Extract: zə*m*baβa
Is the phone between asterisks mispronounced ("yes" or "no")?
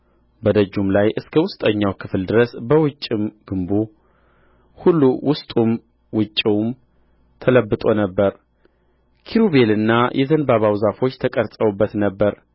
yes